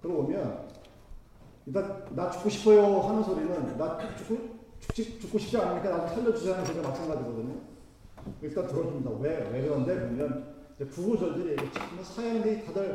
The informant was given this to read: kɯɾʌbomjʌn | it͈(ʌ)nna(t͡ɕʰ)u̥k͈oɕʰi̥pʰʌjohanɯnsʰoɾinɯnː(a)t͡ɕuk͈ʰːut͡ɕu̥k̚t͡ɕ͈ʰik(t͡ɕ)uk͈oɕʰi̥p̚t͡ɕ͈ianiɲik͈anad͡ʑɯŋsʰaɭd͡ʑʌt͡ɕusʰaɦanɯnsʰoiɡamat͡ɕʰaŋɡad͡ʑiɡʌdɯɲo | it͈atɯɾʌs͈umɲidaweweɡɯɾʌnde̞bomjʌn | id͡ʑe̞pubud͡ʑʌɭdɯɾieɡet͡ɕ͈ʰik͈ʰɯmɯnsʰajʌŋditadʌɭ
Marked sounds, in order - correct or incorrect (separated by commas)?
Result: incorrect, incorrect, correct, correct